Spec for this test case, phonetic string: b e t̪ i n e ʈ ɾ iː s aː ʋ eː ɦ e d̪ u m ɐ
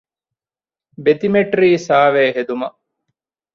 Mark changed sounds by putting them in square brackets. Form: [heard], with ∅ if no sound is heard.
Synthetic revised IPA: b e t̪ i [m] e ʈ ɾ iː s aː ʋ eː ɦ e d̪ u m ɐ